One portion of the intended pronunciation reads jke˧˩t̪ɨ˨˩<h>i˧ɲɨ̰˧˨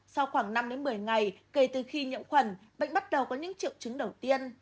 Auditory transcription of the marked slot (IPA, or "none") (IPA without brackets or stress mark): x